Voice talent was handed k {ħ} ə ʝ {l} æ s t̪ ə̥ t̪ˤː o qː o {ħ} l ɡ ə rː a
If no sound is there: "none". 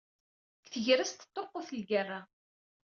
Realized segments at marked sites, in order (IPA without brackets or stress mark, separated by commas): θ, ɾ, θ